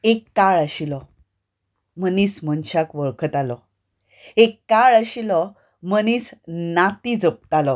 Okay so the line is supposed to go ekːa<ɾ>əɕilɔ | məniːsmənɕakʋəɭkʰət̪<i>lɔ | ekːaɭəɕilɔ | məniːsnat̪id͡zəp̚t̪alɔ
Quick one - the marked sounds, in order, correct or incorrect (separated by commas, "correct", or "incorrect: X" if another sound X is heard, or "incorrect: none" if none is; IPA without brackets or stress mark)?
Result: incorrect: ɭ, incorrect: a